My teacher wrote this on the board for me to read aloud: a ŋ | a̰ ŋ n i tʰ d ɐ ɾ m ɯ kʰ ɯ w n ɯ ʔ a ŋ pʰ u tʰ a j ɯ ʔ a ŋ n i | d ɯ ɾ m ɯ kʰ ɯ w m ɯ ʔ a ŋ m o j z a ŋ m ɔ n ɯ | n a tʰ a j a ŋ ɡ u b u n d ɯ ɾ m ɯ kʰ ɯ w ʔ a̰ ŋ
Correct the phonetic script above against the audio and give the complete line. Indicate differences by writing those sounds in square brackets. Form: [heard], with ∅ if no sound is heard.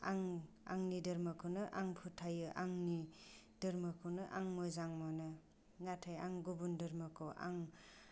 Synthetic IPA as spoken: a ŋ | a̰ ŋ n i [∅] d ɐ ɾ m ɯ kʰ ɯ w n ɯ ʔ a ŋ pʰ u tʰ a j ɯ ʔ a ŋ n i | d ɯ ɾ m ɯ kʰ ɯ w [n] ɯ ʔ a ŋ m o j z a ŋ m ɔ n ɯ | n a tʰ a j a ŋ ɡ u b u n d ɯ ɾ m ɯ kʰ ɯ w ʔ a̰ ŋ